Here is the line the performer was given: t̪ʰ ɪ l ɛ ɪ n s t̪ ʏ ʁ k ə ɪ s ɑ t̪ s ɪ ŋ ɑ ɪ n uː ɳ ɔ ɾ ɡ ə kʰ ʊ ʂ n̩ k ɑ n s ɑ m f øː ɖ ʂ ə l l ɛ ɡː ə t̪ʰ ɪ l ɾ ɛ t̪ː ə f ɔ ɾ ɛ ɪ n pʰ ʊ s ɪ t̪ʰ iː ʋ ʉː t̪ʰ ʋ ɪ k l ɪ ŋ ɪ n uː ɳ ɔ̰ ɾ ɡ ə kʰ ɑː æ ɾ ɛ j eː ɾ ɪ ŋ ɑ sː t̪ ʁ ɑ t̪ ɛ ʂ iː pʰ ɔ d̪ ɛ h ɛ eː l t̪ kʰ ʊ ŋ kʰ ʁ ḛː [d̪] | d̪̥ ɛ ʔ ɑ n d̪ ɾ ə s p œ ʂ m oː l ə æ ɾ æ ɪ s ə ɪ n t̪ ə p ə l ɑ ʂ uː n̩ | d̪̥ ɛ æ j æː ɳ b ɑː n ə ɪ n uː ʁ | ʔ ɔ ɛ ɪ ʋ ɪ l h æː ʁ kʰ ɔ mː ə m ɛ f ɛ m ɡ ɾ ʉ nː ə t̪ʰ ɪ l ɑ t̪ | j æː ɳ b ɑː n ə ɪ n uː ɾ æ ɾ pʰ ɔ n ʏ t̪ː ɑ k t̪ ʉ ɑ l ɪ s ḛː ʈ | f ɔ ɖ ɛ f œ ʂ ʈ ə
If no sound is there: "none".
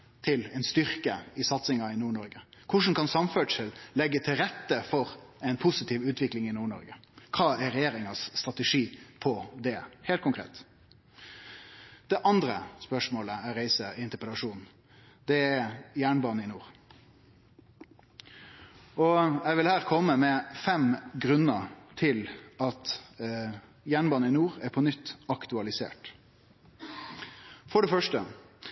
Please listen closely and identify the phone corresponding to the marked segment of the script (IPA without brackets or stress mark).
t̪